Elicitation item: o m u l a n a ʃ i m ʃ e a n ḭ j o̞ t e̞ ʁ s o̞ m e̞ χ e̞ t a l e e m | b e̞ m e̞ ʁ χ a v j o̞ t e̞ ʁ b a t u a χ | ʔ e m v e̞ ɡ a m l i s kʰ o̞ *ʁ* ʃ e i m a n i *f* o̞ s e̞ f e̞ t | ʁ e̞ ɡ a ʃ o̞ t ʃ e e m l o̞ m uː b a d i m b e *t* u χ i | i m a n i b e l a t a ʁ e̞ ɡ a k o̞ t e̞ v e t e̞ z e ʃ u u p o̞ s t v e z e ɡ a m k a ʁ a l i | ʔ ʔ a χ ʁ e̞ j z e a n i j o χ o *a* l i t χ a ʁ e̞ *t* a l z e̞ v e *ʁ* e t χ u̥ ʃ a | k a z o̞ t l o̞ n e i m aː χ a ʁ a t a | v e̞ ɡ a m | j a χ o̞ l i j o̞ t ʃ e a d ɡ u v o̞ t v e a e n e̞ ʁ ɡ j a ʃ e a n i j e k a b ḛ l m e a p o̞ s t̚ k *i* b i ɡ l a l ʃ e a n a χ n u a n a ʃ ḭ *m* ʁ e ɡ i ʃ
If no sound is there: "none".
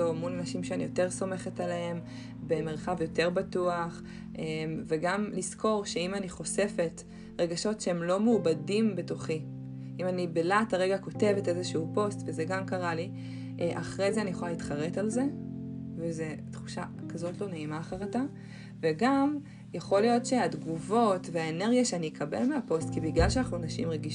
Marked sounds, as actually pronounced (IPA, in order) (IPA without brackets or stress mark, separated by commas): ʁ, χ, t, a, t, z, i, m